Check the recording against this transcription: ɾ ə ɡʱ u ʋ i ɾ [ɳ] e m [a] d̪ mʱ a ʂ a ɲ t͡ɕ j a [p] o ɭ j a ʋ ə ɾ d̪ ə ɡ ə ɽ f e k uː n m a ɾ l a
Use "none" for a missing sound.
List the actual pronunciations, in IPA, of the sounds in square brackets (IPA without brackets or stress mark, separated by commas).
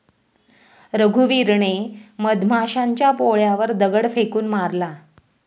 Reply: ɳ, ə, p